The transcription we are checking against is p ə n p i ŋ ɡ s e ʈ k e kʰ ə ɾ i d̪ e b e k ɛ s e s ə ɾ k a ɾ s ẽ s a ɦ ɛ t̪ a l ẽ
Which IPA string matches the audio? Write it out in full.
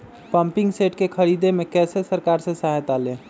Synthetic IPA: p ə m p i ŋ ɡ s e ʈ k e kʰ ə ɾ i d̪ e m e k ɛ s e s ə ɾ k a ɾ s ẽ s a ɦ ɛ t̪ a l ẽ

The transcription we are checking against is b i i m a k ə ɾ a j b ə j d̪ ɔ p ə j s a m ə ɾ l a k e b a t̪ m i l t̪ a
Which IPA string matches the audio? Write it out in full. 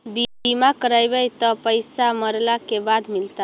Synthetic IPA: b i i m a k ə ɾ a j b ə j t̪ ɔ p ə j s a m ə ɾ l a k e b a d̪ m i l t̪ a

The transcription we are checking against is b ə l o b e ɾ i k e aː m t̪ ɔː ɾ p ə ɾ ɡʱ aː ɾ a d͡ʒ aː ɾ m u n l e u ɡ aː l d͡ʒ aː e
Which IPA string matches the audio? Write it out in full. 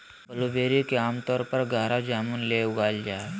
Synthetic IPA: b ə l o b e ɾ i k e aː m t̪ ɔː ɾ p ə ɾ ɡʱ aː ɾ a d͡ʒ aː m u n l e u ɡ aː l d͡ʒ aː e

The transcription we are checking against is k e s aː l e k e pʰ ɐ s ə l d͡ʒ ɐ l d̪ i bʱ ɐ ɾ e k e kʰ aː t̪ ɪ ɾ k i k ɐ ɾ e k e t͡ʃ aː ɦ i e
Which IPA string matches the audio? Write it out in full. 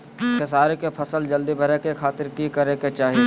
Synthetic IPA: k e s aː ɾ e k e pʰ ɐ s ə l d͡ʒ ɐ l d̪ i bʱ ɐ ɾ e k e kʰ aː t̪ ɪ ɾ k i k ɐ ɾ e k e t͡ʃ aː ɦ i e

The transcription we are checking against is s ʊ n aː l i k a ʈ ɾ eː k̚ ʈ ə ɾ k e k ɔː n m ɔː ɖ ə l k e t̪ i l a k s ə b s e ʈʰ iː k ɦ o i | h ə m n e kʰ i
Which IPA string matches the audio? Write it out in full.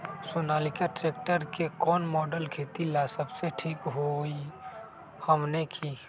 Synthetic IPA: s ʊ n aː l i k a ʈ ɾ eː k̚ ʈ ə ɾ k e k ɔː n m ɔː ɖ ə l kʰ e t̪ i l a s ə b s e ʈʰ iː k ɦ o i | h ə m n e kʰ i

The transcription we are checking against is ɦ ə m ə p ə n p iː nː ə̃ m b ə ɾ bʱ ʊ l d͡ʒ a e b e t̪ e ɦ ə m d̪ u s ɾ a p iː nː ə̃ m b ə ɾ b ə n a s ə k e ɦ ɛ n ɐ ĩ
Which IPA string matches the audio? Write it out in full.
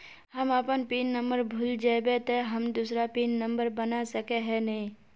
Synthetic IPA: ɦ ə m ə p ə n p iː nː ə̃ m b ə ɾ bʱ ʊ l d͡ʒ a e b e t̪ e ɦ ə m d̪ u s ɾ a p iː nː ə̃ m b ə ɾ b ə n a s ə k e ɦ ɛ n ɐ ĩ

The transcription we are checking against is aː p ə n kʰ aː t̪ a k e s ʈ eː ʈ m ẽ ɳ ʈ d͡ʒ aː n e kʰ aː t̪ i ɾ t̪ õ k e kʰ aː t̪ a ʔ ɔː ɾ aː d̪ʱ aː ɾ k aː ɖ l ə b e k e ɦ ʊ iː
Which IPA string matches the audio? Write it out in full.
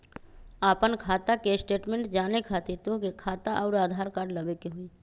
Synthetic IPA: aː p ə n kʰ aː t̪ a k e s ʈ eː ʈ m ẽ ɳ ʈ d͡ʒ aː n e kʰ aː t̪ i ɾ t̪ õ k e kʰ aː t̪ a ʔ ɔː ɾ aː d̪ʱ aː ɾ k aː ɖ l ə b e k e ɦ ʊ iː

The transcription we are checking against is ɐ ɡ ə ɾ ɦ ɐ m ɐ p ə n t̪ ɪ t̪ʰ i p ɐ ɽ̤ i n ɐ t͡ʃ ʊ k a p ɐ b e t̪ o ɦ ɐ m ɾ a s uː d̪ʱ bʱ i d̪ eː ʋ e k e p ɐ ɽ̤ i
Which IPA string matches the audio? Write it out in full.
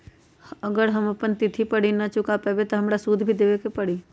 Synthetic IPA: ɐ ɡ ə ɾ ɦ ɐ m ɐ p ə n t̪ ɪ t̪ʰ i p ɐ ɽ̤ i n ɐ t͡ʃ ʊ k a p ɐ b e t̪ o ɦ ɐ m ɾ a s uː d̪ʱ bʱ i d̪ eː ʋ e k e p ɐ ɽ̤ i

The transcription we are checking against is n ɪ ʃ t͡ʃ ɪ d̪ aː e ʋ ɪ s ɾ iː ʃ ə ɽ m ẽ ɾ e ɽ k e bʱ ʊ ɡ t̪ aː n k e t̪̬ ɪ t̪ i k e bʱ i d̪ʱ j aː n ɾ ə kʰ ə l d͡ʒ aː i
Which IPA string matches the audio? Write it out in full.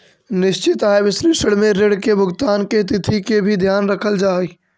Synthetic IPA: n ɪ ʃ t͡ʃ ɪ t̪ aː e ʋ ɪ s ɾ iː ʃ ə ɽ m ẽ ɾ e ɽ k e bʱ ʊ ɡ t̪ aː n k e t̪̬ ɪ t̪ʰ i k e bʱ i d̪ʱ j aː n ɾ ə kʰ ə l d͡ʒ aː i

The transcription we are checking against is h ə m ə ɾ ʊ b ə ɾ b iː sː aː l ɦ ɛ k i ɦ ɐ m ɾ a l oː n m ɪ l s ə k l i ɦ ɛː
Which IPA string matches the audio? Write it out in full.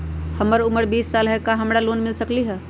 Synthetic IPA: h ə m ə ɾ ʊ m ə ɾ b iː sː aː l ɦ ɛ k a ɦ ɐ m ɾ a l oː n m ɪ l s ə k l i ɦ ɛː

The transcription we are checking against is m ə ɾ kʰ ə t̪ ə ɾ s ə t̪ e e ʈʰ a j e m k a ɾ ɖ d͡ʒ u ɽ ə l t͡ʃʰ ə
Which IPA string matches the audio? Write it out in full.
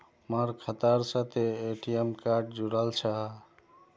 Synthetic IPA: m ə ɾ kʰ ə t̪ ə ɾ s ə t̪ e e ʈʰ i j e m k a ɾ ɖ d͡ʒ u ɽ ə l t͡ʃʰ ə

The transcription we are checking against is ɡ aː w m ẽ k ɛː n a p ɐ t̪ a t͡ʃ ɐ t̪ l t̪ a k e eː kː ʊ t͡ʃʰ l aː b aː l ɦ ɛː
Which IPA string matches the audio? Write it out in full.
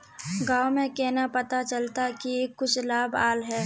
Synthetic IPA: ɡ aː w m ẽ k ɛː n a p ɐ t̪ a t͡ʃ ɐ l t̪ a k i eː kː ʊ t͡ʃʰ l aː b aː l ɦ ɛː

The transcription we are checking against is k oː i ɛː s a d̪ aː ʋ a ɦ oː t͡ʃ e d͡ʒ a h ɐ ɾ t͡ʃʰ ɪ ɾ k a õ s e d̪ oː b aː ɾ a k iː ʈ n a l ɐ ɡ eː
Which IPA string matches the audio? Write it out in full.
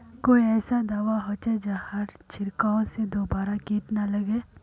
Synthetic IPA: k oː i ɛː s a d̪ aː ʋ a ɦ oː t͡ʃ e d͡ʒ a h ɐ ɾ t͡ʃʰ ɪ ɾ k a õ s e d̪ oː b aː ɾ a k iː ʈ n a l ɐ ɡ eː

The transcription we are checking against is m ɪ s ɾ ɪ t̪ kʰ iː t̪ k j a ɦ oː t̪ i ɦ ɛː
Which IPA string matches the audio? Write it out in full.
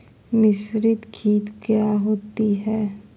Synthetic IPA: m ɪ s ɾ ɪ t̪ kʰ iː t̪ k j a ɦ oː t̪ i ɦ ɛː

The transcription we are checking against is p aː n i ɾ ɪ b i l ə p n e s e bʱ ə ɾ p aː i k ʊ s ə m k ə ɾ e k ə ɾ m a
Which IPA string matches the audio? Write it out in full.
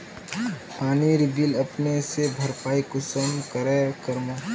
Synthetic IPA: p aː n i ɾ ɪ b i l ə p n e s e bʱ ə ɾ p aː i k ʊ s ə m k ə ɾ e k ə ɾ m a

